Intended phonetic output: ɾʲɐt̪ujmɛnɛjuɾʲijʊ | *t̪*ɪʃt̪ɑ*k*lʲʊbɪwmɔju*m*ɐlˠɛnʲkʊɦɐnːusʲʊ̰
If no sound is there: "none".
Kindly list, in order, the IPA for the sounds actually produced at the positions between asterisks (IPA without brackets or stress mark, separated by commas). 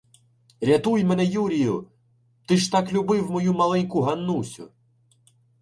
t̪, k, m